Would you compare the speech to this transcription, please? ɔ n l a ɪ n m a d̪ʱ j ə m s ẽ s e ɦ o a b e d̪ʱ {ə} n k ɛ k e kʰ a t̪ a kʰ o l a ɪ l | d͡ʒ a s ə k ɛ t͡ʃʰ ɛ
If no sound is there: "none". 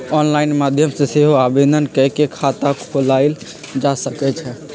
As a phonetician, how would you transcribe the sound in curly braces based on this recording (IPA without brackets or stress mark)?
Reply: ə